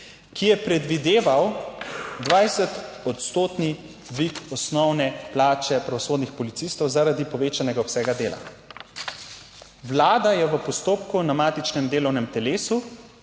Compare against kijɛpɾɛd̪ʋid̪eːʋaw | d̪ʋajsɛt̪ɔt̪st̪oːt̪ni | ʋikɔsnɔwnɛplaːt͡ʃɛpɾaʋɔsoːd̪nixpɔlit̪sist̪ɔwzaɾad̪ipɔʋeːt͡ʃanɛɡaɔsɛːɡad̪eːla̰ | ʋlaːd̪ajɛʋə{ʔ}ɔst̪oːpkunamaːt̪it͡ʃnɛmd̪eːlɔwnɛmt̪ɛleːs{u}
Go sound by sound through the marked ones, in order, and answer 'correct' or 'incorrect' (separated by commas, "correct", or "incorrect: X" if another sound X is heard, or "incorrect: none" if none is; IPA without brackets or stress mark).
incorrect: p, correct